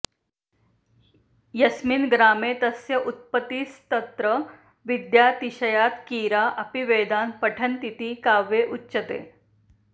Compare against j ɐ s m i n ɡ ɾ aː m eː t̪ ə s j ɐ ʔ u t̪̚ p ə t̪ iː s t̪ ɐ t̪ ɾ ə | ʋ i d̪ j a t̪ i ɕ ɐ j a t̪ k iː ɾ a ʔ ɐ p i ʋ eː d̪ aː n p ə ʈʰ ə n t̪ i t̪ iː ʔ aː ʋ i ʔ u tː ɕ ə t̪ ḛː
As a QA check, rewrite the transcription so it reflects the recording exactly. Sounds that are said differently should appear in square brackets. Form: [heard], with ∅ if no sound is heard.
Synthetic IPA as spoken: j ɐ s m i n ɡ ɾ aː m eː t̪ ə s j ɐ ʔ u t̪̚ p ə t̪ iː s t̪ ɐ t̪ ɾ ə | ʋ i d̪ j a t̪ i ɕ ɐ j a t̪ k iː ɾ a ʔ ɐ p i ʋ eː d̪ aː n p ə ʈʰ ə n t̪ i t̪ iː [k] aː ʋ [e] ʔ u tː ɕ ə t̪ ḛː